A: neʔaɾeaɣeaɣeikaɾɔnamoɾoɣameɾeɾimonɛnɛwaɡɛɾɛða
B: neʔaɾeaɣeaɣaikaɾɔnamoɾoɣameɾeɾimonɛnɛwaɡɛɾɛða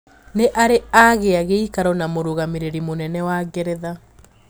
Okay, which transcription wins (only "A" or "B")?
A